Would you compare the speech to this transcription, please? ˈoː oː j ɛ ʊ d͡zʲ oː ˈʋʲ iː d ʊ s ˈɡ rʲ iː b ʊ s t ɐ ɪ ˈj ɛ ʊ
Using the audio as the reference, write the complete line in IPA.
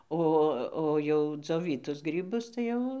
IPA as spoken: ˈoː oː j ɛ ʊ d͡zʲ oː ˈʋʲ iː t ʊ s ˈɡ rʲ iː b ʊ s t ɐ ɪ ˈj ɛ ʊ